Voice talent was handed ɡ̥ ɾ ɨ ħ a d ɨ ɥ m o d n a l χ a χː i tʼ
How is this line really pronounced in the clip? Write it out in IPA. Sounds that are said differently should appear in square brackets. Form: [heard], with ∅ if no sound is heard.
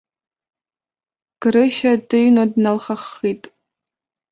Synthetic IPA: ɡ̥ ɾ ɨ [ʃ] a d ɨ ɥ [n] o d n a l χ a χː i tʼ